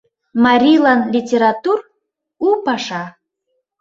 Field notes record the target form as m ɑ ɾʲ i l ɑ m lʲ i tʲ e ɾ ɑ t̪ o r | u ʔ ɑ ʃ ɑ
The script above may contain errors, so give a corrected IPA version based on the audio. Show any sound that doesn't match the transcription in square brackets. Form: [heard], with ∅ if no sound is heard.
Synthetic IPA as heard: m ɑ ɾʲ i l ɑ [n] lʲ i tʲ e ɾ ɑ t̪ [u] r | u [p] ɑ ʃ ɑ